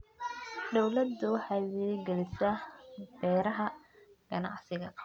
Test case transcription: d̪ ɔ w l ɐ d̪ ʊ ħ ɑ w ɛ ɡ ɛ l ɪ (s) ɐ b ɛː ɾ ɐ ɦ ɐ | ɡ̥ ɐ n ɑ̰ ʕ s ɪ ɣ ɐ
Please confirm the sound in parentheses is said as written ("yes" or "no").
yes